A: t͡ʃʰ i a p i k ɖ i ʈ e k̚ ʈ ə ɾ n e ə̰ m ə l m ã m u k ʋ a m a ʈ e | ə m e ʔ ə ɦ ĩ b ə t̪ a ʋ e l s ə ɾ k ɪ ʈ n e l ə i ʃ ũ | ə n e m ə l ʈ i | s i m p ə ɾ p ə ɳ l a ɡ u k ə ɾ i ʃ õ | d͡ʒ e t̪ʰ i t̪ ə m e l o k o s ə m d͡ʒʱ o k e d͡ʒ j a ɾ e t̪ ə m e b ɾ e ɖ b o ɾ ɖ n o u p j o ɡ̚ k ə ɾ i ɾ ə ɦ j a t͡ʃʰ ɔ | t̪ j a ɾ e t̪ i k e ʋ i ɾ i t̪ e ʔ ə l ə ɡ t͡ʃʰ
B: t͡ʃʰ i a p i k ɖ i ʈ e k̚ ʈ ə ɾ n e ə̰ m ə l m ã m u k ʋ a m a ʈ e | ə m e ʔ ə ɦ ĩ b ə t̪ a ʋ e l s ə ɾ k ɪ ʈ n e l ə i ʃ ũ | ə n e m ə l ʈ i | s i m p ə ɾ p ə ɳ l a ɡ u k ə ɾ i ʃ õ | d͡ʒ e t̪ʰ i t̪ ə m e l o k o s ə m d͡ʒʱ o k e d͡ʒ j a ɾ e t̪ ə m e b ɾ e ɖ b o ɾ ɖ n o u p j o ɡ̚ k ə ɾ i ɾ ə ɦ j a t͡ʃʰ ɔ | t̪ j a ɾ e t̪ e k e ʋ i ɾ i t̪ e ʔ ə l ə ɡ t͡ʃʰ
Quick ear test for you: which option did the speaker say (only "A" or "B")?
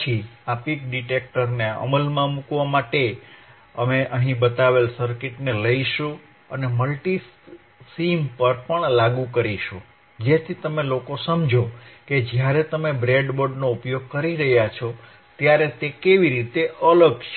B